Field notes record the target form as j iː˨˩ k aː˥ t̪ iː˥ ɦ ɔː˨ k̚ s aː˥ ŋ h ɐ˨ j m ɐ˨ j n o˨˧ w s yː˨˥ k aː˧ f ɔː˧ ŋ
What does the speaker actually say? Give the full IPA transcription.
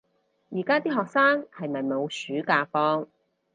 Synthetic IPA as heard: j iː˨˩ k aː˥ t̪ iː˥ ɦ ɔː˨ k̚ s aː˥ ŋ h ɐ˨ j m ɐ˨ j m o˨˧ w s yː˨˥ k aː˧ f ɔː˥ ŋ